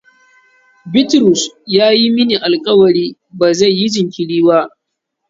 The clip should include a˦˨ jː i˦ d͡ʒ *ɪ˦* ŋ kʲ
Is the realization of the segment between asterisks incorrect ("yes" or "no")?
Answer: yes